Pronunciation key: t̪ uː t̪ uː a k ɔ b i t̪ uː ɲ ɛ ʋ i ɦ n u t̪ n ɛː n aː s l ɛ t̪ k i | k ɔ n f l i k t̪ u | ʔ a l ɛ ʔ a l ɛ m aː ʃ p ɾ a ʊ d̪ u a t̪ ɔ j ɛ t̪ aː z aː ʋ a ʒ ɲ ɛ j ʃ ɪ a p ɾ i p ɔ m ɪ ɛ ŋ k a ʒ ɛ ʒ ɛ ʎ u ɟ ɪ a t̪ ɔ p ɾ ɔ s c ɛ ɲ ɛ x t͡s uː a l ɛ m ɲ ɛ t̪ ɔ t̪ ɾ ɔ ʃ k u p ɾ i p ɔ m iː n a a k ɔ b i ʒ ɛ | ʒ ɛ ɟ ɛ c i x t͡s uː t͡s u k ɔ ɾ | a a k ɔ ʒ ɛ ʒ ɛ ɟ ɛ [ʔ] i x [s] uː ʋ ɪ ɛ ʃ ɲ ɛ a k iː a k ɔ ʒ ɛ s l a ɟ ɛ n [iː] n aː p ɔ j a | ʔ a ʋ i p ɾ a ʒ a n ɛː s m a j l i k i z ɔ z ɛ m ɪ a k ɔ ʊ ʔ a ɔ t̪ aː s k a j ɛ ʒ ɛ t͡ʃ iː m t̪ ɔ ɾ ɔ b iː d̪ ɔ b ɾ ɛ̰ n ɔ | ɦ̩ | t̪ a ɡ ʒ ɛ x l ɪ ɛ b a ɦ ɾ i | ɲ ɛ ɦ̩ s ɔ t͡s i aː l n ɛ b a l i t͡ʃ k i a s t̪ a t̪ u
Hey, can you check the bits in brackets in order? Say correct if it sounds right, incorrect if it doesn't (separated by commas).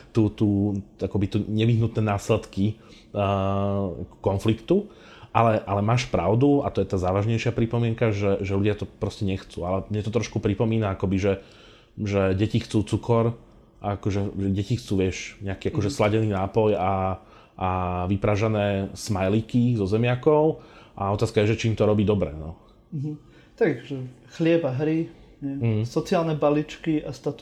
incorrect, incorrect, correct